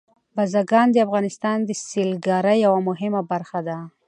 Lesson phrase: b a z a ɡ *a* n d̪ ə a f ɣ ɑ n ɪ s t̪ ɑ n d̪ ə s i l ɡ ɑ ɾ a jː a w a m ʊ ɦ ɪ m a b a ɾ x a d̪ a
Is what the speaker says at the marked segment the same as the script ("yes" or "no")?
no